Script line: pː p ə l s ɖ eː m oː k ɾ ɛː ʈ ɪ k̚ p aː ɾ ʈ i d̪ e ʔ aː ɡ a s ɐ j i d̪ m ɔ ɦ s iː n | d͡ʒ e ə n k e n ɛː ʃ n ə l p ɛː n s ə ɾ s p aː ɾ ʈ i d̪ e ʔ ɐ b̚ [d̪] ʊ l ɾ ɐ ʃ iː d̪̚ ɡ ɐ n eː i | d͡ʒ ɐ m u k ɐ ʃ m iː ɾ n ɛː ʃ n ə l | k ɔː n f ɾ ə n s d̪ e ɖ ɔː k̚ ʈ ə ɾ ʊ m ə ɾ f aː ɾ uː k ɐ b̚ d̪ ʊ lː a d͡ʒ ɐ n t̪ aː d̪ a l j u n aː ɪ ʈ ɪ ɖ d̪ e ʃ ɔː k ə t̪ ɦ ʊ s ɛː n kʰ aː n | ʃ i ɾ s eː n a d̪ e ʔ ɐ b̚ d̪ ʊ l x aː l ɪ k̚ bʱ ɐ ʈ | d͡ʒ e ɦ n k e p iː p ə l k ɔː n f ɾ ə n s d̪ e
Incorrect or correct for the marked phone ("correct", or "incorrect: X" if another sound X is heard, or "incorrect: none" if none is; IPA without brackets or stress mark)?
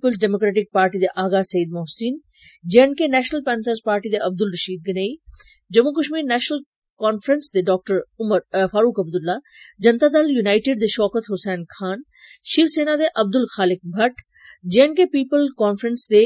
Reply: correct